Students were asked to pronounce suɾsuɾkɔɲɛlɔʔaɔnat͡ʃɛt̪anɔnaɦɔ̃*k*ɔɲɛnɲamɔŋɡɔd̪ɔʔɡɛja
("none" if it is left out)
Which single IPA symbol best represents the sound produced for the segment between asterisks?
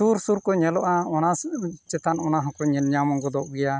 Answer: k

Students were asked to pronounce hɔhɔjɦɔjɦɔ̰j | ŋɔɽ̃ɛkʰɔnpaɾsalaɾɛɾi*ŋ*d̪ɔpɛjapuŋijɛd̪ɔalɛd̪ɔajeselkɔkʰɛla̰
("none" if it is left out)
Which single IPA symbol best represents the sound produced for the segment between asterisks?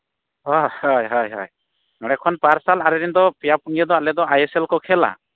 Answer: n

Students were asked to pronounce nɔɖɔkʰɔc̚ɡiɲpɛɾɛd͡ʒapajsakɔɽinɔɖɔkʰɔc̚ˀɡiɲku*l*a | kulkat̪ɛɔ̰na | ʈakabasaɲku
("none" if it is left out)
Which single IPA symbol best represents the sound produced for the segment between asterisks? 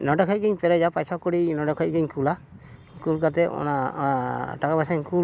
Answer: l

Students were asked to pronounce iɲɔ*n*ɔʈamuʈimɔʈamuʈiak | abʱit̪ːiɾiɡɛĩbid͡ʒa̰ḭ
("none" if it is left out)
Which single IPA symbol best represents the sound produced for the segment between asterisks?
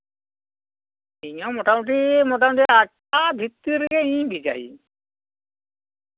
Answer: m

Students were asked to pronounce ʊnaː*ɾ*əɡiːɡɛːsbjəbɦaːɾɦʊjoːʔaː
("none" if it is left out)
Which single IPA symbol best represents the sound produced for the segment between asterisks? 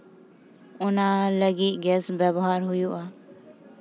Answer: l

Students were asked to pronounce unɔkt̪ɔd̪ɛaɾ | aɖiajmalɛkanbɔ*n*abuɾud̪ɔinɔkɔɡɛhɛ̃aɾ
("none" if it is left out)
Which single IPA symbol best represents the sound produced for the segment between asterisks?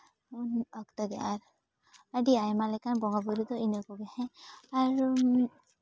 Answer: ŋ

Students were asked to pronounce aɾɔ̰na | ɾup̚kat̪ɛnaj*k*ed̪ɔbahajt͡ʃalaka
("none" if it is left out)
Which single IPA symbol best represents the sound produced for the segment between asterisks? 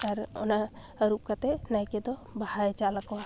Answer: k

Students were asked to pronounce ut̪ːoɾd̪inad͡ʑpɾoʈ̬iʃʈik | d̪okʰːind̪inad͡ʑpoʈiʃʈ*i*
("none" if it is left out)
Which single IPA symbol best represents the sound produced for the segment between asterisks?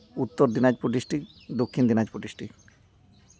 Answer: i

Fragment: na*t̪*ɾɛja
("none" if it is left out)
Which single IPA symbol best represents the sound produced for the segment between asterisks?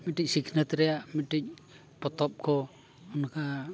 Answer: t̪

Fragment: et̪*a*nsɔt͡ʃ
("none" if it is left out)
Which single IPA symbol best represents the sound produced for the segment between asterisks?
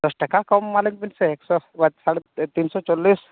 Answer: i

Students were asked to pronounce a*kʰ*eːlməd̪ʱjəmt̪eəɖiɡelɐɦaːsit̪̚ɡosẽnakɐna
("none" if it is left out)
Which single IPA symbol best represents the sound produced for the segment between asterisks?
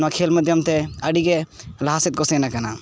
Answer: kʰ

